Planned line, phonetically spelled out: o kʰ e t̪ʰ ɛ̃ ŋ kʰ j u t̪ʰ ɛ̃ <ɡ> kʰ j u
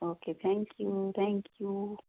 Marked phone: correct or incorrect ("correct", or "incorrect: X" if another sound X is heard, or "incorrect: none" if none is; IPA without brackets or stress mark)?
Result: incorrect: ŋ